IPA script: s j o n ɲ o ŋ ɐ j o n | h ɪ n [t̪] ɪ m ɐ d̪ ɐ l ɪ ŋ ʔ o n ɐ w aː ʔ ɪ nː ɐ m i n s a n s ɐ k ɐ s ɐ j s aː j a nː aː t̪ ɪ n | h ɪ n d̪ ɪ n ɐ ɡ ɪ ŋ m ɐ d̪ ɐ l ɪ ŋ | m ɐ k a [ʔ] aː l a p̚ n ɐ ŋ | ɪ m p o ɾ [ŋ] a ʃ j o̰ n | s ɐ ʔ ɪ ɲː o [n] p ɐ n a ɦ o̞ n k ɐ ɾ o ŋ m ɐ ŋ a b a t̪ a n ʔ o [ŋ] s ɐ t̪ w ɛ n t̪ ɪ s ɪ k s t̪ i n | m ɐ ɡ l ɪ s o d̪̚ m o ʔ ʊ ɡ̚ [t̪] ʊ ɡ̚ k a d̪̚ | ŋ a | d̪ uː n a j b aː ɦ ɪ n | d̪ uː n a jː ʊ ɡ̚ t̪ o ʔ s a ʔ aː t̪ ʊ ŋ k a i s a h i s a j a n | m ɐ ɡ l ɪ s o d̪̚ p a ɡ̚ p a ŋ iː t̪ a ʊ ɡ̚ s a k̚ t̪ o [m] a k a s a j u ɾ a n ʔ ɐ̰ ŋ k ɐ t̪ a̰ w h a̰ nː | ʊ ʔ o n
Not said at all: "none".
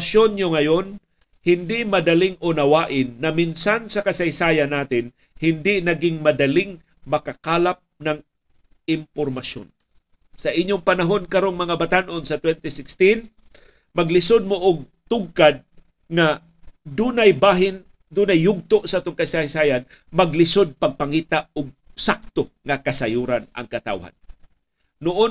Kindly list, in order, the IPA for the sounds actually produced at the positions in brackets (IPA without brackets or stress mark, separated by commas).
d̪, k, m, ŋ, n, t̪, ŋ